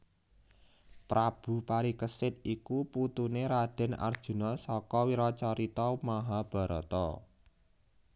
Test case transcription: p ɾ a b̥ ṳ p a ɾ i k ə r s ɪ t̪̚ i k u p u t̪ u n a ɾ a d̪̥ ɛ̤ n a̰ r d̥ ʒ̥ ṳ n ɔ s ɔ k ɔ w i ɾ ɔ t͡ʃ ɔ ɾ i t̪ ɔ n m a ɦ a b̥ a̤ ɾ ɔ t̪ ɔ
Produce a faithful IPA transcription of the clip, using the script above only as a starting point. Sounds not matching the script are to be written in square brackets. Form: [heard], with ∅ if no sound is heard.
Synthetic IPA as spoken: p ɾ a b̥ ṳ p a ɾ i k ə [∅] s ɪ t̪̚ i k u p u t̪ u n [e] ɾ a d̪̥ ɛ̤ n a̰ r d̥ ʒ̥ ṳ n ɔ s ɔ k ɔ w i ɾ ɔ t͡ʃ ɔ ɾ i t̪ ɔ [∅] m a ɦ a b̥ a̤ ɾ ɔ t̪ ɔ